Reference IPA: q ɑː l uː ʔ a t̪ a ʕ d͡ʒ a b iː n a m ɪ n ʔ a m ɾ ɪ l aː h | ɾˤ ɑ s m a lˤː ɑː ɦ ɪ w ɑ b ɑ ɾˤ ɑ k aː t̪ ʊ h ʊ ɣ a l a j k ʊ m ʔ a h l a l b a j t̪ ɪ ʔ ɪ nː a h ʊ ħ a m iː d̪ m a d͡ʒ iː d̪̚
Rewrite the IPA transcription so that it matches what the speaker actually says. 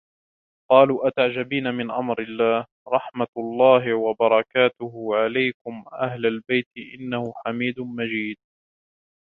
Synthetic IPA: q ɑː l uː ʔ a t̪ a ʕ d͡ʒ a b iː n a m ɪ n ʔ a m ɾ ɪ lː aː h | ɾˤ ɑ ħ m a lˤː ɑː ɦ ɪ w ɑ b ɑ ɾˤ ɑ k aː t̪ ʊ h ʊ ʕ a l a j k ʊ m ʔ a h l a l b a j t̪ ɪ ʔ ɪ nː a h ʊ ħ a m iː d̪ m a d͡ʒ iː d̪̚

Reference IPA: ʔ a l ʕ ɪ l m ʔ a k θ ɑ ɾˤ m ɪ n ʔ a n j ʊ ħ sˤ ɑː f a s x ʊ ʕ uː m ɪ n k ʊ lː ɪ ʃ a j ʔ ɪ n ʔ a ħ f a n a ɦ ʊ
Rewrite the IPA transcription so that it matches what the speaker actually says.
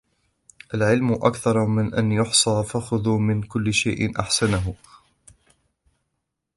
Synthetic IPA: ʔ a l ʕ ɪ l m ʔ a k θ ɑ ɾˤ m ɪ n ʔ a n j ʊ ħ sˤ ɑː f a x ʊ ð uː m ɪ n k ʊ lː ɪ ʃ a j ʔ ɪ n ʔ a ħ s a n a ɦ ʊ

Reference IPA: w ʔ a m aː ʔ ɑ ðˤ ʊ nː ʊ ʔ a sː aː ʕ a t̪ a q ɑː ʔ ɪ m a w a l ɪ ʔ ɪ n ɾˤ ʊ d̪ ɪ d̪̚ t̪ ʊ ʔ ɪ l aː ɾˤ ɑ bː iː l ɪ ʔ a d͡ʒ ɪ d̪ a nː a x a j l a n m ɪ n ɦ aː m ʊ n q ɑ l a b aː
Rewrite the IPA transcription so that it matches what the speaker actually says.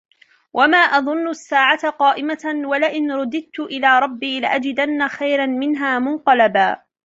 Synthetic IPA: w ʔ a m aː ʔ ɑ ðˤ ʊ nː ʊ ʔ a sː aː ʕ a t̪ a q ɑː ʔ ɪ m a w a l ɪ ʔ ɪ n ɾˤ ʊ d̪ ɪ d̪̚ t̪ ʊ ʔ ɪ l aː ɾˤ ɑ bː iː l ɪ ʔ a d͡ʒ ɪ d̪ a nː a x a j ɾ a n m ɪ n ɦ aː m ʊ n q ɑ l a b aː

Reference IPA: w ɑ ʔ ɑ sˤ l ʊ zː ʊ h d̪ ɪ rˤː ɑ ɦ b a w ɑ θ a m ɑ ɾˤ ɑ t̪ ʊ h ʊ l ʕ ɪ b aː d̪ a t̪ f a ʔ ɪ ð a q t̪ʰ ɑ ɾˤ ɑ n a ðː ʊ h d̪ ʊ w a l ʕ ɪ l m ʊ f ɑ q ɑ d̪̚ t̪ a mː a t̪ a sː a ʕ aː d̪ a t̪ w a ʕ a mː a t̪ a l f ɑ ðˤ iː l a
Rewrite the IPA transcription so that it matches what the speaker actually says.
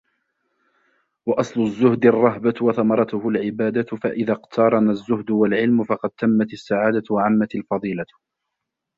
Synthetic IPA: w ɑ ʔ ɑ sˤ l ʊ zː ʊ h d̪ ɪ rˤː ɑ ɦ b a w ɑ θ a m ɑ ɾˤ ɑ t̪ ʊ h ʊ l ʕ ɪ b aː d̪ a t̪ f a ʔ ɪ ð a q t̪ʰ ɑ ɾˤ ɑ n a zː ʊ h d̪ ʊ w a l ʕ ɪ l m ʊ f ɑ q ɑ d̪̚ t̪ a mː a t̪ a sː a ʕ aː d̪ a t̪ w a ʕ a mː a t̪ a l f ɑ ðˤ iː l a

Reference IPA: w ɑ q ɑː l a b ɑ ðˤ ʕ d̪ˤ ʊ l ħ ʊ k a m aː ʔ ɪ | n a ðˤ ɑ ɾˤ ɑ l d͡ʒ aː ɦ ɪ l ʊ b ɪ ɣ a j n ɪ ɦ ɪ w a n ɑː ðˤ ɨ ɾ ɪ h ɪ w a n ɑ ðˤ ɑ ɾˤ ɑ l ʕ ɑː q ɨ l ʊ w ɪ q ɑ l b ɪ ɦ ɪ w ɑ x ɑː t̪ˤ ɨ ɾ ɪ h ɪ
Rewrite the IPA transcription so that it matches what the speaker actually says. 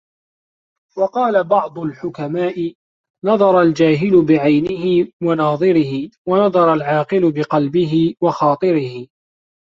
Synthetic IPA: w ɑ q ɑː l a b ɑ ʕ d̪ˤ ʊ l ħ ʊ k a m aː ʔ ɪ | n ɑ ðˤ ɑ ɾˤ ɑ l d͡ʒ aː ɦ ɪ l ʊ b ɪ ʕ a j n ɪ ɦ ɪ w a n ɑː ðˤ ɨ ɾ ɪ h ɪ w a n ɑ ðˤ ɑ ɾˤ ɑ l ʕ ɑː q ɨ l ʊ b ɪ q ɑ l b ɪ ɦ ɪ w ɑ x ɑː t̪ˤ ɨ ɾ ɪ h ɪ

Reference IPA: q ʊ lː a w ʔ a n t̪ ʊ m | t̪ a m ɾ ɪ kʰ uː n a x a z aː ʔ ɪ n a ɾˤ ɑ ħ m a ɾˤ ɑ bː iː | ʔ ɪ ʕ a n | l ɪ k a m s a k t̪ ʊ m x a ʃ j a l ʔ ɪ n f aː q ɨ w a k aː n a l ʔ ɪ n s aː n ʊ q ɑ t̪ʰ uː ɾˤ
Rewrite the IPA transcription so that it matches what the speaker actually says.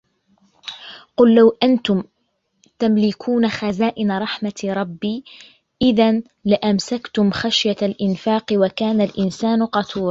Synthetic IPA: q ʊ lː a w ʔ a n t̪ ʊ m | t̪ a m l ɪ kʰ uː n a x a z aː ʔ ɪ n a ɾˤ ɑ ħ m a ɾˤ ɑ bː iː | ʔ ɪ ð a n | l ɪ ʔ a m s a k t̪ ʊ m x a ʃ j a l ʔ ɪ n f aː q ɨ w a k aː n a l ʔ ɪ n s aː n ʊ q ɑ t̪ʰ uː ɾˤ

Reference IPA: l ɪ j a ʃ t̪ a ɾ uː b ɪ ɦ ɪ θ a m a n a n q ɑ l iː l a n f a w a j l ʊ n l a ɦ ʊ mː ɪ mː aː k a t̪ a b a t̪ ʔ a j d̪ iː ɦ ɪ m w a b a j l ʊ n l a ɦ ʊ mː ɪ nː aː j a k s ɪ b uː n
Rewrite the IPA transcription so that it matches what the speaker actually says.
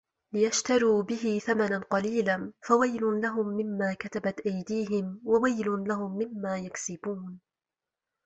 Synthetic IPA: l ɪ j a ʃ t̪ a ɾ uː b ɪ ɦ ɪ θ a m a n a n q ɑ l iː l a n f a w a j l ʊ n l a ɦ ʊ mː ɪ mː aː k a t̪ a b a t̪ ʔ a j d̪ iː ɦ ɪ m w a w a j l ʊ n l a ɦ ʊ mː ɪ mː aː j a k s ɪ b uː n

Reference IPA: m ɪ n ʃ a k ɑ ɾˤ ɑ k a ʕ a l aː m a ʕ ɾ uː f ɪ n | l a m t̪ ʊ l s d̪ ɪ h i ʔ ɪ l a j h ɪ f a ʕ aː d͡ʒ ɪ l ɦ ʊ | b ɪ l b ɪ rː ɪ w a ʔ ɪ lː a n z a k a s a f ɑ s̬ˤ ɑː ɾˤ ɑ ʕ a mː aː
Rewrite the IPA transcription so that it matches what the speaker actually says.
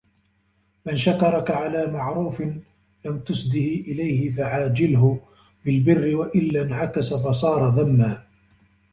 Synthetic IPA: m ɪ n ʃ a k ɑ ɾˤ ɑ k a ʕ a l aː m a ʕ ɾ uː f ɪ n | l a m t̪ ʊ s d̪ ɪ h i ʔ ɪ l a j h ɪ f a ʕ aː d͡ʒ ɪ l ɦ ʊ | b ɪ l b ɪ rː ɪ w a ʔ ɪ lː a n ʕ a k a s a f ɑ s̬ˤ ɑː ɾˤ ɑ ð a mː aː

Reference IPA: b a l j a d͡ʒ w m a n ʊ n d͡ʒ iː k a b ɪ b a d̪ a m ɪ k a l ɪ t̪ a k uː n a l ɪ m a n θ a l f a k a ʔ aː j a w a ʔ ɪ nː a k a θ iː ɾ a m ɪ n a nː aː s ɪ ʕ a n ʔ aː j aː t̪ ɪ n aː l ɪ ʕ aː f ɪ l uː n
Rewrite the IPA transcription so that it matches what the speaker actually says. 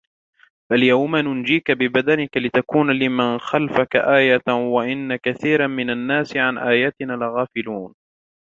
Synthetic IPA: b a l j a w m a n ʊ n d͡ʒ iː k a b ɪ b a d̪ a n ɪ k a l ɪ t̪ a k uː n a l ɪ m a n x a l f a k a ʔ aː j a w a ʔ ɪ nː a k a θ iː ɾ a m ɪ n a nː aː s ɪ ʕ a n ʔ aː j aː t̪ ɪ n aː l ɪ ɣ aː f ɪ l uː n

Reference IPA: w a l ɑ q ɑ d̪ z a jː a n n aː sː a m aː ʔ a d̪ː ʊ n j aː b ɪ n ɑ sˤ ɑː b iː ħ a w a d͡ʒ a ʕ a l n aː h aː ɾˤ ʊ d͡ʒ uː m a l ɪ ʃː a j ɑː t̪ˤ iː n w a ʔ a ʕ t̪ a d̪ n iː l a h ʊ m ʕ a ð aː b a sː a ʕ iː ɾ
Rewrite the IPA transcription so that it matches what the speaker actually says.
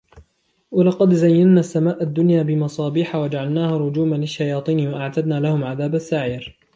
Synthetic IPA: w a l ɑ q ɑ d̪ z a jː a n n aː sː a m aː ʔ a d̪ː ʊ n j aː b ɪ m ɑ sˤ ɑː b iː ħ a w a d͡ʒ a ʕ a l n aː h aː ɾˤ ʊ d͡ʒ uː m a l ɪ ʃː a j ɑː t̪ˤ iː n w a ʔ a ʕ t̪ a d̪ n aː l a h ʊ m ʕ a ð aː b a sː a ʕ iː ɾ

